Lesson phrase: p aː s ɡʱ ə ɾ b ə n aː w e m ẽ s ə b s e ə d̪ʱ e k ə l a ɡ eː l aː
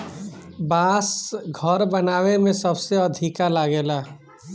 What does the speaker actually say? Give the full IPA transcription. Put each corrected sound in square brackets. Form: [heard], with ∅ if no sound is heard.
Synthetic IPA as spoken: [b] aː s ɡʱ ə ɾ b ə n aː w e m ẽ s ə b s e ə d̪ʱ [i] k [a] l a ɡ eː l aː